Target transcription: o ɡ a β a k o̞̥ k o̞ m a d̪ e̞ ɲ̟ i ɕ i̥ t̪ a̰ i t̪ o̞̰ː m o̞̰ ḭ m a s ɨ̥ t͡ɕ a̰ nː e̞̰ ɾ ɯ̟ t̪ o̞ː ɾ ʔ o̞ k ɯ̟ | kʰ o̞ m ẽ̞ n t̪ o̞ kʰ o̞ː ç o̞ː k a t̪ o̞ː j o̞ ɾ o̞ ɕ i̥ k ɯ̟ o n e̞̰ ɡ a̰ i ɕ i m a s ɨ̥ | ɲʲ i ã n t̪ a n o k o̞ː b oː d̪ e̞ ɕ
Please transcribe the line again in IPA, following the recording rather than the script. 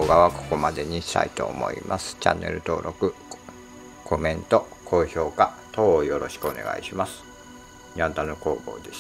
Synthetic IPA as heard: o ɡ a β a k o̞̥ k o̞ m a d̪ e̞ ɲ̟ i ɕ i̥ t̪ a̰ i t̪ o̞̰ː m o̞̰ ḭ m a s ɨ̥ t͡ɕ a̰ nː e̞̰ ɾ ɯ̟ t̪ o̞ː ɾ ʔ o̞ k ɯ̟ | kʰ o̞ m ẽ̞ n t̪ o̞ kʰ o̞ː ç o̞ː k a t̪ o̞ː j o̞ ɾ o̞ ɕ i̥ k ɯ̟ o n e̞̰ ɡ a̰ i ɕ i m a s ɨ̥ | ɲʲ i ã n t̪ a n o k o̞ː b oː d̪ e̞ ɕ